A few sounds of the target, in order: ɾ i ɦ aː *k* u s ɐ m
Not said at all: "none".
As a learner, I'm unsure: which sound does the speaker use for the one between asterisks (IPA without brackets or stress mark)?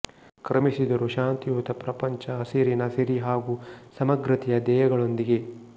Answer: ɡ